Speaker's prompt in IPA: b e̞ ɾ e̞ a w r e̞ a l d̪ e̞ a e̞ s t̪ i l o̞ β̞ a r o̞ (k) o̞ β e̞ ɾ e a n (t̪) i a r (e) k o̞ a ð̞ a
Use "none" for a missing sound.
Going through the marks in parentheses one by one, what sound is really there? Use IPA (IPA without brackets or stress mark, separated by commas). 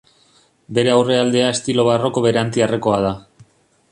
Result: k, t̪, e